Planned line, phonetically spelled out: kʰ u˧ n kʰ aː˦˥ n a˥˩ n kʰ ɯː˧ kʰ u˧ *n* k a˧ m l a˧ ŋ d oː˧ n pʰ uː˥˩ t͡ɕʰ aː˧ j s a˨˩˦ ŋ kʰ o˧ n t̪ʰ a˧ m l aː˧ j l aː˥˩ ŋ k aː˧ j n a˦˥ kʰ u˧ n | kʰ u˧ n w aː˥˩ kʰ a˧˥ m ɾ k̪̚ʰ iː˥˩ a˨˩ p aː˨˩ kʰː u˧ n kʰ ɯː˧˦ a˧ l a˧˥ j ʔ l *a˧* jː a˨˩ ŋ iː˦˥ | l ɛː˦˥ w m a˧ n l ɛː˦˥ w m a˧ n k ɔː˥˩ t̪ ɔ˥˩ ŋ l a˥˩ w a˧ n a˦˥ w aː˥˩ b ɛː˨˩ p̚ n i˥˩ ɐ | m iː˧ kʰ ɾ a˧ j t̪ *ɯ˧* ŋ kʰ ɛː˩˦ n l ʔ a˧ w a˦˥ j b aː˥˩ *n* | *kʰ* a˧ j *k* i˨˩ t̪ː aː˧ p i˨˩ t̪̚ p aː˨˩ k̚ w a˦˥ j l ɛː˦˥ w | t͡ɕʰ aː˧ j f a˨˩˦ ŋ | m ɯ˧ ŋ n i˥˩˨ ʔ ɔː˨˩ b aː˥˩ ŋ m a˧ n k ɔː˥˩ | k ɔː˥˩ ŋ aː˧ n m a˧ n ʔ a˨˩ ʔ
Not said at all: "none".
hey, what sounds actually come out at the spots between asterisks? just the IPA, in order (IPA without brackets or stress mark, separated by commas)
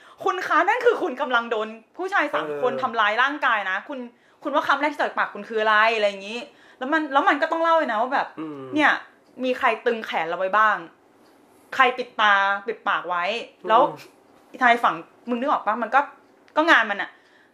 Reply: n, a˧, ɯ˧, ŋ, kʰ, p